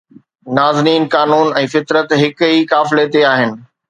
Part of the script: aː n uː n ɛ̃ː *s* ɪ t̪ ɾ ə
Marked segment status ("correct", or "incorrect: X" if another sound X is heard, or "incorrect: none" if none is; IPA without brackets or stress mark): incorrect: f